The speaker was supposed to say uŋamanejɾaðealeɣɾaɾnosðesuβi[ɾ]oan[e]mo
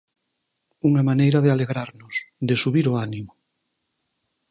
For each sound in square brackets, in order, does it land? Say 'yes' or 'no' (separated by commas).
yes, no